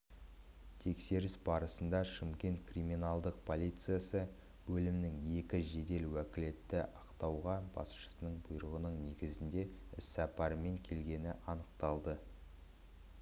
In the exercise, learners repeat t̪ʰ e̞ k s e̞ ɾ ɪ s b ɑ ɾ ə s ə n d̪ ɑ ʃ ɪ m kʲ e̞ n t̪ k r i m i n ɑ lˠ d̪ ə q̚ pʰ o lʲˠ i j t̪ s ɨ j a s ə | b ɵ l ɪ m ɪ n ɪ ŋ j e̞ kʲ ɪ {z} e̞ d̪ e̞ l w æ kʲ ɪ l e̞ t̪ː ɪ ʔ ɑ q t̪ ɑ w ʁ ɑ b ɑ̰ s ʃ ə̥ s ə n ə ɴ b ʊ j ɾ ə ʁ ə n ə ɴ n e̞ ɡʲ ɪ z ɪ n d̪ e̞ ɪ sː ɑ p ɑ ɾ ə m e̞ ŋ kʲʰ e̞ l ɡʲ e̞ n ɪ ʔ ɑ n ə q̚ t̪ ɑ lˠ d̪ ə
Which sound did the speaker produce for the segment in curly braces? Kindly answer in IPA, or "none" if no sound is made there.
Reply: ʒ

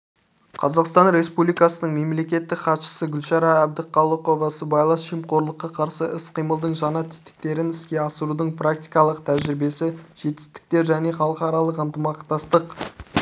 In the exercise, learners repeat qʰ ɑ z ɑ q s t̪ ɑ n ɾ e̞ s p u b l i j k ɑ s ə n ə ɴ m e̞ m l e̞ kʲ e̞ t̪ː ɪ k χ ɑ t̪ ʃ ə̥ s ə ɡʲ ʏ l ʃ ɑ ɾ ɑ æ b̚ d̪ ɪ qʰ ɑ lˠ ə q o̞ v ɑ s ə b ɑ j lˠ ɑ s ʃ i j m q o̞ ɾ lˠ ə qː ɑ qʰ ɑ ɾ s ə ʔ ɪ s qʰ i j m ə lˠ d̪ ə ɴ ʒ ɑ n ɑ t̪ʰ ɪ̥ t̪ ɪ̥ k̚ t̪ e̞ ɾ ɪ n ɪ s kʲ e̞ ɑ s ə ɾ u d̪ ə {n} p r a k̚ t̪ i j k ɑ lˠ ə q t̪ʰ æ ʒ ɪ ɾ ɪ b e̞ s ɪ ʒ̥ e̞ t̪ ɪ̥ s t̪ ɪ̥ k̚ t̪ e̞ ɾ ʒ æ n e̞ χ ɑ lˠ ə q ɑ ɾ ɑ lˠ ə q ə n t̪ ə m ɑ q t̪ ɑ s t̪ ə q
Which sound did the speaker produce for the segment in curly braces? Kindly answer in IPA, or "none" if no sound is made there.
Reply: ɴ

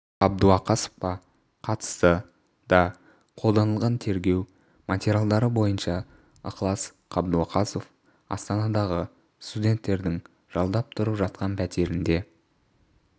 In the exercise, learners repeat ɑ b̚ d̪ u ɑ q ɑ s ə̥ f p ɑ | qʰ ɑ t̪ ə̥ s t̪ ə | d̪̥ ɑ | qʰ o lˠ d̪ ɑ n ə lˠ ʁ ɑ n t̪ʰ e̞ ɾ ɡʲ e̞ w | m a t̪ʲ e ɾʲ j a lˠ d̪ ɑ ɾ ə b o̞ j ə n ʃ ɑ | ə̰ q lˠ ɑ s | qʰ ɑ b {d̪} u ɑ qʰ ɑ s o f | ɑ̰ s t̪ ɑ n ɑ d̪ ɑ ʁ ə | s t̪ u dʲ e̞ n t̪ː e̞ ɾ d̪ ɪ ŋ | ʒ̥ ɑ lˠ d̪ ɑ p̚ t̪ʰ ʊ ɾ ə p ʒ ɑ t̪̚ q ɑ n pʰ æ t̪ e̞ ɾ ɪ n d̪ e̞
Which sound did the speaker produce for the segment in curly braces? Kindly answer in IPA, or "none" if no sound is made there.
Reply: d̪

